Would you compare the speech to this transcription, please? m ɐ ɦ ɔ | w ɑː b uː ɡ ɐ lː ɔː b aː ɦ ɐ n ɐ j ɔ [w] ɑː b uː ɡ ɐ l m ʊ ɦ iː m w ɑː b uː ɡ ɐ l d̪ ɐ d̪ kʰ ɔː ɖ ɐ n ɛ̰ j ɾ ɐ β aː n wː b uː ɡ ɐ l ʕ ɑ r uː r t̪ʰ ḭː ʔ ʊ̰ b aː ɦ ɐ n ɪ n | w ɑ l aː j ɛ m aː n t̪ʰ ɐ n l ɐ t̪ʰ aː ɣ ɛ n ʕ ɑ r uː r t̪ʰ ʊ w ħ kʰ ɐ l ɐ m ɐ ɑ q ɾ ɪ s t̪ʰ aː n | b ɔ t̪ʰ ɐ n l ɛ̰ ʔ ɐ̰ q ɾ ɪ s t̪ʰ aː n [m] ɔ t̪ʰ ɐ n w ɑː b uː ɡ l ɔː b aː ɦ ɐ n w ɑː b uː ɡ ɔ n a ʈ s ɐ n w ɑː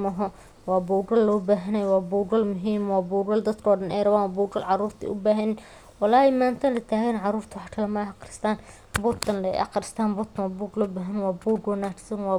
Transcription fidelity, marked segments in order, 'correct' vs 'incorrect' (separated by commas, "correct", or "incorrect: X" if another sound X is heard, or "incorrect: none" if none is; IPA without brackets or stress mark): correct, incorrect: b